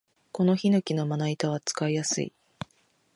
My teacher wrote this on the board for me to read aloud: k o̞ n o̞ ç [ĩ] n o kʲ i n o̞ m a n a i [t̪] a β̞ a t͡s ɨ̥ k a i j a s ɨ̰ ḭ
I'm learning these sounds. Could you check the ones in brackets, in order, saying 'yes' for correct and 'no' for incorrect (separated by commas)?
no, yes